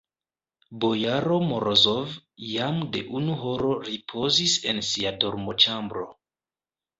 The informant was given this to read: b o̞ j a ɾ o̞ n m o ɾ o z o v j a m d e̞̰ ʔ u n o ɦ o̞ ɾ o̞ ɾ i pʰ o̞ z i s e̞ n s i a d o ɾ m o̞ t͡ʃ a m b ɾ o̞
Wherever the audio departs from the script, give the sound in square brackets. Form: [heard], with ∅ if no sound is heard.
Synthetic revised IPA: b o̞ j a ɾ o̞ [∅] m o ɾ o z o v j a m d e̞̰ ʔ u n [u] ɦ o̞ ɾ o̞ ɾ i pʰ o̞ z i s e̞ n s i a d o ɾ m o̞ t͡ʃ a m b ɾ o̞